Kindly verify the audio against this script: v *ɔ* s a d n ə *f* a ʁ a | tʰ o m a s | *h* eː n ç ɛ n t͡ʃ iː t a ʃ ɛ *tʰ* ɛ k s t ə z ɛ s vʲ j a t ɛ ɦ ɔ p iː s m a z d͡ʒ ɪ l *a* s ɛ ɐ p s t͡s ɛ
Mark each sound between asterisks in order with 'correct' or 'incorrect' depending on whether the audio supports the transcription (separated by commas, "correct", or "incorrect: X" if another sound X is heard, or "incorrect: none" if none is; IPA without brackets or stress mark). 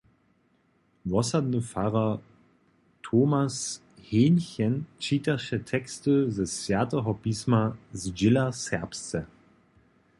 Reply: correct, correct, correct, correct, correct